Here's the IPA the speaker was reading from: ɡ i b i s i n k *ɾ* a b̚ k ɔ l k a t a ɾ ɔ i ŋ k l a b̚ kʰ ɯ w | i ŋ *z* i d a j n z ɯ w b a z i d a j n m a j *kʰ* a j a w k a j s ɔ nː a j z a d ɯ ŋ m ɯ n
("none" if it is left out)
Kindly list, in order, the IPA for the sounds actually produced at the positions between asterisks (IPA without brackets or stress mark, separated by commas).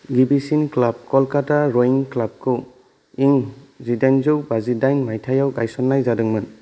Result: l, z, tʰ